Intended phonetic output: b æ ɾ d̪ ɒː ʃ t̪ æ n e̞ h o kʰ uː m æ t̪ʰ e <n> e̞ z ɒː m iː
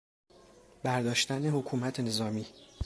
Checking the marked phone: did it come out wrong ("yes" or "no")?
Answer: no